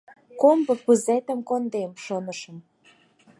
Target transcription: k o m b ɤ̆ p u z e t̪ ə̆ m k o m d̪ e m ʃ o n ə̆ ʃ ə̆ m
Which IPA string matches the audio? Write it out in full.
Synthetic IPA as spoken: k o m b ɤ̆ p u z e t̪ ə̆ m k o n d̪ e m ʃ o n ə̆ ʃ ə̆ m